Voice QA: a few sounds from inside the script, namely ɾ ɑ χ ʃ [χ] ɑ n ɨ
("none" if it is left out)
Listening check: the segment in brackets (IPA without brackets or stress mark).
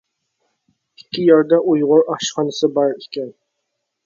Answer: χ